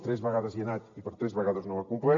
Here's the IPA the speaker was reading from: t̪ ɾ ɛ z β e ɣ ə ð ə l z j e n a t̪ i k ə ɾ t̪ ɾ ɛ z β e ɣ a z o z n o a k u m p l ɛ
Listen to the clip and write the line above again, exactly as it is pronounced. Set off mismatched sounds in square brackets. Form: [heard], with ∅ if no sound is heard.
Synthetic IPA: t̪ ɾ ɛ z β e ɣ [a] ð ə [∅] z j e n a t̪ i [p] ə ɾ t̪ ɾ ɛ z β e ɣ a [ð] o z n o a k u m p l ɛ